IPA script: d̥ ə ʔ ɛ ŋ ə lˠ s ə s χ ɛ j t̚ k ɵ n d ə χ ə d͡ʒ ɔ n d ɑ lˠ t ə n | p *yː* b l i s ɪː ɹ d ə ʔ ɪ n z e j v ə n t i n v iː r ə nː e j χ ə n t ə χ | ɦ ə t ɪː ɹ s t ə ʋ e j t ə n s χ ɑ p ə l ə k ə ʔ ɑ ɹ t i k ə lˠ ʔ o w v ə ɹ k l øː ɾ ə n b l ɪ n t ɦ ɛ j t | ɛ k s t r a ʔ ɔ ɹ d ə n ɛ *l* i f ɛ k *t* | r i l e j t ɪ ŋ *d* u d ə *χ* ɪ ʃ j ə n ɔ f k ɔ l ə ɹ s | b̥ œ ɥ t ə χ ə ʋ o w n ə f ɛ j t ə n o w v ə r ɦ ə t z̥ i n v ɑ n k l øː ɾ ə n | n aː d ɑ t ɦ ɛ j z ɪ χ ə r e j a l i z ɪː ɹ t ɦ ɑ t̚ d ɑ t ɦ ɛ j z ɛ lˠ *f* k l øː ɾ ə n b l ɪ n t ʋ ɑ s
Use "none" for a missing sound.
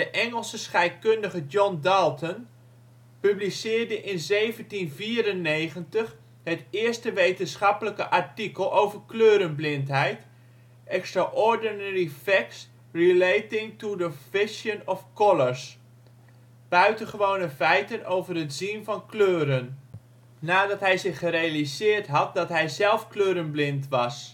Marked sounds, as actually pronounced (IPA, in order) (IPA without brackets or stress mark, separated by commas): y, ɹ, s, t, f, f